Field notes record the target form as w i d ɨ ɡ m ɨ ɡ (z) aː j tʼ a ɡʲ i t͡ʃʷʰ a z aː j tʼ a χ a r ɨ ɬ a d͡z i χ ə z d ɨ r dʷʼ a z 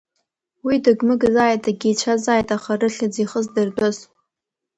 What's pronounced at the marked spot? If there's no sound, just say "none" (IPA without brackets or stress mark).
z